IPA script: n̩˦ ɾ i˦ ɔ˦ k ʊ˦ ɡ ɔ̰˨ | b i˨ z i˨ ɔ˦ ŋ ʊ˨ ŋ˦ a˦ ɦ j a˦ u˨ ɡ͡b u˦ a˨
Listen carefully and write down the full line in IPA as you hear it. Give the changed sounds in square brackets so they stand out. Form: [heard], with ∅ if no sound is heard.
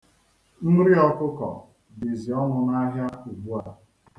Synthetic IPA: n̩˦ ɾ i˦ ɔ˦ k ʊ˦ [k] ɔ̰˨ | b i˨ z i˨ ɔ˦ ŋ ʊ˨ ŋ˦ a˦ ɦ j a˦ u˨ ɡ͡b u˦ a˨